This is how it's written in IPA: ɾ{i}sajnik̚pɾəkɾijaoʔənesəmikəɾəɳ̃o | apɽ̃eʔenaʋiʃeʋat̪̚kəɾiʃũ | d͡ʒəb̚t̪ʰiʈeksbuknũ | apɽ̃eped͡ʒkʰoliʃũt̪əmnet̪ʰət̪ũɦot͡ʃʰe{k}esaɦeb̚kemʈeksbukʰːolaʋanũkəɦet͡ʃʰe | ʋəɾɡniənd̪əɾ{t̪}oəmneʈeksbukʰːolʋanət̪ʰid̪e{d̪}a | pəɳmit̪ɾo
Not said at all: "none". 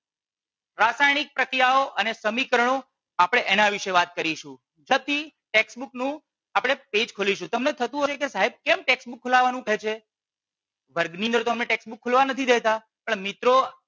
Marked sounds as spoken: a, k, t̪, t̪

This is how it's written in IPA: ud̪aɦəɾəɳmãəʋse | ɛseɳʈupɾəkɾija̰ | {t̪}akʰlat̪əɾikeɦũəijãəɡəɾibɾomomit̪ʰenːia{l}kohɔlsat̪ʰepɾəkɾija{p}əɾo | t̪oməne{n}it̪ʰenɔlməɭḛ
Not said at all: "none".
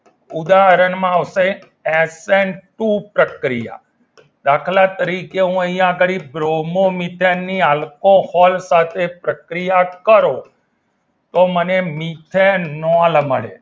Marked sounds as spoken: d̪, l, k, m

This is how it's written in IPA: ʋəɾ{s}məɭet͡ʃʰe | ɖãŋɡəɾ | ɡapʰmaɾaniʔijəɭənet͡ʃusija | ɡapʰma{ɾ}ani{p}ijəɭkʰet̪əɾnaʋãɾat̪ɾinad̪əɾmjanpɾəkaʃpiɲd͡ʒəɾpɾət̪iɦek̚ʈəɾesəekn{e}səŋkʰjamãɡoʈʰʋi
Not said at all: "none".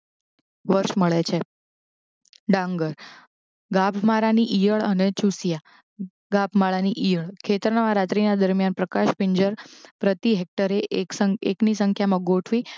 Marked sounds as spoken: ʃ, ɭ, ʔ, i

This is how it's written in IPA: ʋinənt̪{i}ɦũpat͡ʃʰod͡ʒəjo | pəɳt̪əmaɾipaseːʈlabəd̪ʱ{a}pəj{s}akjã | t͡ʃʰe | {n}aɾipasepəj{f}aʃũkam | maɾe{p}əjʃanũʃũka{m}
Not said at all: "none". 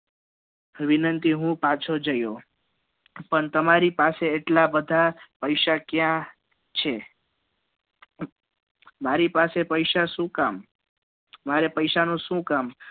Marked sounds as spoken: i, a, ʃ, m, ʃ, p, m

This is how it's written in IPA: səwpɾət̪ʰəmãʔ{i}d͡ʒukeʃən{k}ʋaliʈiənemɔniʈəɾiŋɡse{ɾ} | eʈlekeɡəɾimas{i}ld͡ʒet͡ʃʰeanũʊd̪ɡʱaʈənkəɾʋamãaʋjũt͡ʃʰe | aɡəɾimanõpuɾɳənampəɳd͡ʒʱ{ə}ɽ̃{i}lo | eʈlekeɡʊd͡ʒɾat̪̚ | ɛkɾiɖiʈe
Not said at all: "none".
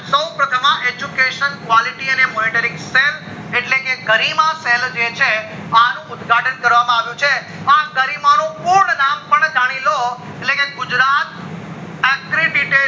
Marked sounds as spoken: e, k, l, e, a, i

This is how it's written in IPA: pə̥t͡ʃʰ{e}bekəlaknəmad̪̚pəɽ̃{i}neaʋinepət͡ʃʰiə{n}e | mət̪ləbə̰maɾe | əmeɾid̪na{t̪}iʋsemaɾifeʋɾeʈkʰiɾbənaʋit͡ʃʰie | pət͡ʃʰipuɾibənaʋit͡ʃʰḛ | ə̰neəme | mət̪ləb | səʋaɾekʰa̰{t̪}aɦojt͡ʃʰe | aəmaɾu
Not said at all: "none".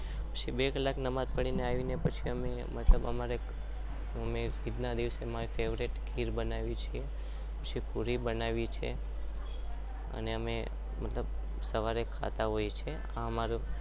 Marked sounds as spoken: i, i, m, d̪, t̪

